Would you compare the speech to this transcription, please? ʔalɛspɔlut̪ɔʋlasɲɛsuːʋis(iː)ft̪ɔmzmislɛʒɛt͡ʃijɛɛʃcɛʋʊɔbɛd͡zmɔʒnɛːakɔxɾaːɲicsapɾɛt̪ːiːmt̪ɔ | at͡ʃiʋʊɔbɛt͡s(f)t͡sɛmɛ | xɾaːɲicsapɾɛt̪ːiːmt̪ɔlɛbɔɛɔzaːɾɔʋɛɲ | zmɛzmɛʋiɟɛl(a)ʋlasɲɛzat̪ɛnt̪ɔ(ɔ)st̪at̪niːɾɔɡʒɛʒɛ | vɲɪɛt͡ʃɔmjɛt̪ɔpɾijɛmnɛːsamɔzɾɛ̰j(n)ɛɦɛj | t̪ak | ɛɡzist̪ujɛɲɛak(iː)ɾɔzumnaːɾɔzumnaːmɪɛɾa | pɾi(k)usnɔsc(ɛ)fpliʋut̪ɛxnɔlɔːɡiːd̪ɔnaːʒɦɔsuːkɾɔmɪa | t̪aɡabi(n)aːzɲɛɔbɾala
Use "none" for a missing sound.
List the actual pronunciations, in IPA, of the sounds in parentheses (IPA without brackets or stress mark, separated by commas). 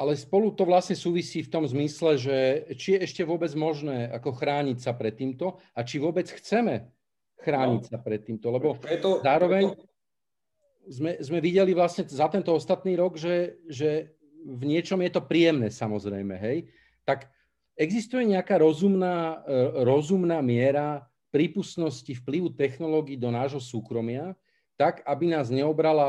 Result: iː, x, i, ɔ, m, aː, p, i, n